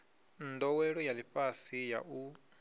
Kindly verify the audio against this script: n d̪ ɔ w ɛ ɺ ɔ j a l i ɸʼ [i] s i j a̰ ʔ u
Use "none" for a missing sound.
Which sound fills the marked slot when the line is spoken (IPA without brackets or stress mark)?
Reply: a